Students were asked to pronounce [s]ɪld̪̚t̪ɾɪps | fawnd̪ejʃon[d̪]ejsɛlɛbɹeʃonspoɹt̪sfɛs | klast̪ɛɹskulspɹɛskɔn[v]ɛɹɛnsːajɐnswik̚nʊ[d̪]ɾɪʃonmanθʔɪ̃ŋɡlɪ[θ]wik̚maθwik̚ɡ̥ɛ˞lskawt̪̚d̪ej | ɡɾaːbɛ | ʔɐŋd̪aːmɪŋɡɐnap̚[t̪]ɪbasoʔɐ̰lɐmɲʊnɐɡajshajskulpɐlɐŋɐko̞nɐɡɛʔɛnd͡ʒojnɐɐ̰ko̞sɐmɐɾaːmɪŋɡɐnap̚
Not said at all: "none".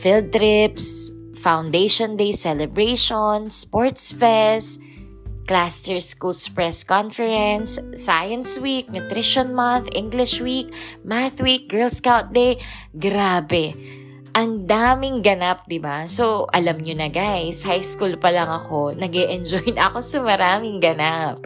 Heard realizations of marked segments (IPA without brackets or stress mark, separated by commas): f, d̪, f, t̪, ʃ, d̪